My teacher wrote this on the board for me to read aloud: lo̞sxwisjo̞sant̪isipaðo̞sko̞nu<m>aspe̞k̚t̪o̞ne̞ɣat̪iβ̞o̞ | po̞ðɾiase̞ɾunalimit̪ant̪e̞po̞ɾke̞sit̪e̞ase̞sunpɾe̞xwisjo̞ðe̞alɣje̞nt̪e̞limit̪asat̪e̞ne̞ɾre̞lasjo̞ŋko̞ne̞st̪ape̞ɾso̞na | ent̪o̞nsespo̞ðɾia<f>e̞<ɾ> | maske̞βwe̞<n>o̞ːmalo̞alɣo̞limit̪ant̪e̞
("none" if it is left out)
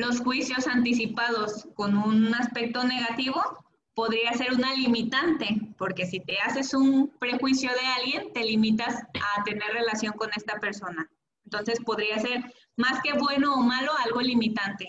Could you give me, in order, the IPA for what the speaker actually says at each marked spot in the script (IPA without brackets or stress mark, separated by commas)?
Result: n, s, ɾ, n